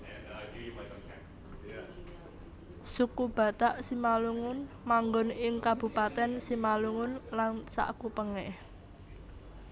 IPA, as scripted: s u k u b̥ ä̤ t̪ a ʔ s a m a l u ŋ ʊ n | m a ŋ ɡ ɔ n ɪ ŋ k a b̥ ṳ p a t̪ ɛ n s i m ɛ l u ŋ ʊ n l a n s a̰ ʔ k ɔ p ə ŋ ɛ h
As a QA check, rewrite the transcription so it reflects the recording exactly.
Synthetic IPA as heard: s u k u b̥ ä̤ t̪ a ʔ s i m a l u ŋ ʊ n | m a ŋ ɡ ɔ n ɪ ŋ k a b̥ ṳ p a t̪ ɛ n s i m a l u ŋ ʊ n l a n s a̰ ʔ k u p ə ŋ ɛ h

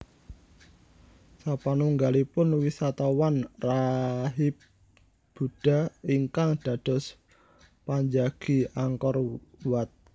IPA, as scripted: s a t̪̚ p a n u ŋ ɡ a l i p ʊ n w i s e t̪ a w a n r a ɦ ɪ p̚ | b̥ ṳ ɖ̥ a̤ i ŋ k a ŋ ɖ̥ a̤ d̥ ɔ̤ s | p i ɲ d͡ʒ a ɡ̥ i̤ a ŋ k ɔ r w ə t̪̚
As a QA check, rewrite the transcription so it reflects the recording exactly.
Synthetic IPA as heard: s a p a n u ŋ ɡ a l i p ʊ n w i s a t̪ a w a n r a ɦ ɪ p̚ | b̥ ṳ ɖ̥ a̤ i ŋ k a ŋ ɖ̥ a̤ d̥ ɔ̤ s | p a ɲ d͡ʒ a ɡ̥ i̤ a ŋ k ɔ r w a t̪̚

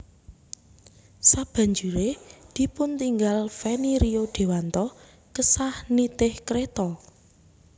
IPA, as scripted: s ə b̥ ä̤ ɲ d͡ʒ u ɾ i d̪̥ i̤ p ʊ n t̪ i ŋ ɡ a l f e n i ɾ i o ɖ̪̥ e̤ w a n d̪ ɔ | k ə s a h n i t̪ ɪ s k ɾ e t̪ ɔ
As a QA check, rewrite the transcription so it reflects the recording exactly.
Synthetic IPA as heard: s a b̥ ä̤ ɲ d͡ʒ u ɾ e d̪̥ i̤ p ʊ n t̪ i ŋ ɡ a l f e n i ɾ i o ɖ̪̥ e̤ w a n t̪ ɔ | k ə s a h n i t̪ ɪ h k ɾ e t̪ ɔ

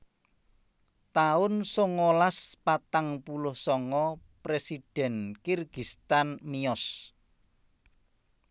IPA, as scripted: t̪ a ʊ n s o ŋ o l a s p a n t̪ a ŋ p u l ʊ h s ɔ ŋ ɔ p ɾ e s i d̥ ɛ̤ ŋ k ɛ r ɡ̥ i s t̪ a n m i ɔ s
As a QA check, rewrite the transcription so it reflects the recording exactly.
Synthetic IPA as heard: t̪ a ʊ n s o ŋ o l a s p a t̪ a ŋ p u l ʊ h s ɔ ŋ ɔ p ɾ e s i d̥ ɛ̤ n k i r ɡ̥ i s t̪ a n m i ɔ s

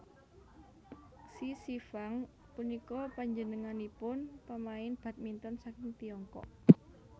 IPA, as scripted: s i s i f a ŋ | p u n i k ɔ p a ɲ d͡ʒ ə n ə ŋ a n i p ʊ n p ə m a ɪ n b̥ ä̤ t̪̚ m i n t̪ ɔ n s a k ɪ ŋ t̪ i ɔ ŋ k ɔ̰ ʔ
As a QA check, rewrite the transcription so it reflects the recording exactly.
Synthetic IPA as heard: s i s i f a ŋ | p u n i k ɔ p a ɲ d͡ʒ ə n ə ŋ a n i p ʊ n p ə m a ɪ n b̥ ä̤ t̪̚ m i n t̪ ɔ n s a k ɪ ŋ t̪ i ɔ ŋ k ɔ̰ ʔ

